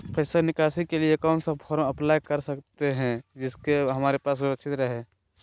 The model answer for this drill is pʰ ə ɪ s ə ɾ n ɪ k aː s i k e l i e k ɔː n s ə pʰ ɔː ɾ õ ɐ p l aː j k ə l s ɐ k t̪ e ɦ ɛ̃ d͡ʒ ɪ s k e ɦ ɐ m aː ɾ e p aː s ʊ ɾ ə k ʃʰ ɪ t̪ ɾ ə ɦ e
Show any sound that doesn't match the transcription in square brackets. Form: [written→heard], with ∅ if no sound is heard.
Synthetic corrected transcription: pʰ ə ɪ s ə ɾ n ɪ k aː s i k e l i e k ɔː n s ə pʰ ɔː ɾ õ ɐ p l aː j k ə [l→ɾ] s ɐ k t̪ e ɦ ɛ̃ d͡ʒ ɪ s k e ɦ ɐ m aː ɾ e p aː s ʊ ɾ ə k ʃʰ ɪ t̪ ɾ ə ɦ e